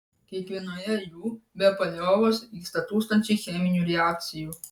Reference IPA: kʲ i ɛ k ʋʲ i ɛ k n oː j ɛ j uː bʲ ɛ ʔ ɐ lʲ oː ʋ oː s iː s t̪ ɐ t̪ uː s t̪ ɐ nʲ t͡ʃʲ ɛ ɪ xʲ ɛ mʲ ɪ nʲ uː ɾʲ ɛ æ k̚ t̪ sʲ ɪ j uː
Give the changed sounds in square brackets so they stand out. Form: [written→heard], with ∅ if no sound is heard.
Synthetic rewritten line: kʲ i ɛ k ʋʲ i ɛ [k→∅] n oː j ɛ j uː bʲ ɛ [ʔ→p] ɐ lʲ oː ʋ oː s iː s t̪ ɐ t̪ uː s t̪ ɐ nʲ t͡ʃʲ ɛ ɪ xʲ ɛ mʲ ɪ nʲ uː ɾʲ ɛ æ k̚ t̪ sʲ ɪ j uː